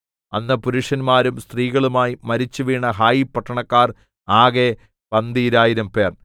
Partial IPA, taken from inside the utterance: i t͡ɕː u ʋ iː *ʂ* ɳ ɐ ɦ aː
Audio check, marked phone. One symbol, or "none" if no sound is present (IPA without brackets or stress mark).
none